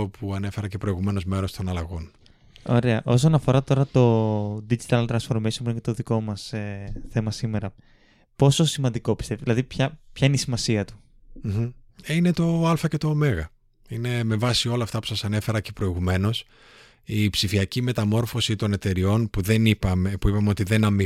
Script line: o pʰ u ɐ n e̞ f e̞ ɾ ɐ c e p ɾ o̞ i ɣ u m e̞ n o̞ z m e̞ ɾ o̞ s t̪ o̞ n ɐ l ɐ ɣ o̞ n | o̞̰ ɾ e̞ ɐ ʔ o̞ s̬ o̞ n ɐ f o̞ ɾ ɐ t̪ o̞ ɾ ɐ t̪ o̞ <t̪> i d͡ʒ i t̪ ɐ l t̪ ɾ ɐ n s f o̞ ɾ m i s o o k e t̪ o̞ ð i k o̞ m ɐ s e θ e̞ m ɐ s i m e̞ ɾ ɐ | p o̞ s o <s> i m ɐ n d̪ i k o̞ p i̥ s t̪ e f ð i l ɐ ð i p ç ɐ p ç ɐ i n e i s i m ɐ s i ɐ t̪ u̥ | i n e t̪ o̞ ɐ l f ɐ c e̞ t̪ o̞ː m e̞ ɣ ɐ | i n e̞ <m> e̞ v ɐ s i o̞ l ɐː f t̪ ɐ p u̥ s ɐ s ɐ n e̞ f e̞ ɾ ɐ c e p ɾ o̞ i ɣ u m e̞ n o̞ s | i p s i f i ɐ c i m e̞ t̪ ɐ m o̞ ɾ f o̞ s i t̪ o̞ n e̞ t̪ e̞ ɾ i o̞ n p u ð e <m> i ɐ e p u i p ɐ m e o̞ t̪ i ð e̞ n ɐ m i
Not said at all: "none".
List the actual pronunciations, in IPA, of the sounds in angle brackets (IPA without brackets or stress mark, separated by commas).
d̪, s, m, n